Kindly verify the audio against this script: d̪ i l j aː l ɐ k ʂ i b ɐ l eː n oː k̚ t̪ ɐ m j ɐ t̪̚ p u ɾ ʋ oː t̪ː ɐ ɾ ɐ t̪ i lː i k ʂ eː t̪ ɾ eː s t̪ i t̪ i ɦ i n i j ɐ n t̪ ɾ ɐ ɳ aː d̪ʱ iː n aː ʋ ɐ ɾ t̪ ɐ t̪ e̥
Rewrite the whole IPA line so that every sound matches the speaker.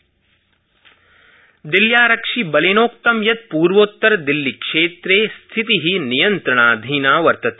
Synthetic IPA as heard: d̪ i l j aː ɾ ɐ k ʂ i b ɐ l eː n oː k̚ t̪ ɐ m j ɐ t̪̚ p uː ɾ ʋ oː t̪ː ɐ ɾ ɐ d̪ i lː i k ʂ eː t̪ ɾ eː s t̪ʰ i t̪ i ɦ i n i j ɐ n t̪ ɾ ɐ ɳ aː d̪ʱ iː n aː ʋ ɐ ɾ t̪ ɐ t̪ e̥